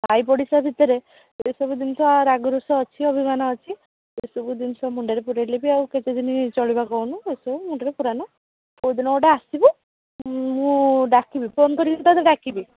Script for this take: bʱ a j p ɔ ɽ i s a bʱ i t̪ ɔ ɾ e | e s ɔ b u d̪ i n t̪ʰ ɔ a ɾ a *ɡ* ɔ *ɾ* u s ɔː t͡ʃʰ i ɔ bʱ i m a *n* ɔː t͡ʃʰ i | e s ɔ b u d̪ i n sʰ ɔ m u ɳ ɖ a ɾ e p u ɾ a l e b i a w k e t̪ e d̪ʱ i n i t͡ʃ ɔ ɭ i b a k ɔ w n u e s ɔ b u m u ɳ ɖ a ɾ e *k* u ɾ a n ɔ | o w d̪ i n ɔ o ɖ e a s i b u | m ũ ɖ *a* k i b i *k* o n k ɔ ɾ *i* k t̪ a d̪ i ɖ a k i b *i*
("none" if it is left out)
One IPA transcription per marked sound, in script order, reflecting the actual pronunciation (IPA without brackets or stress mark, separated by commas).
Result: ɡ, ɾ, n, p, a, p, i, i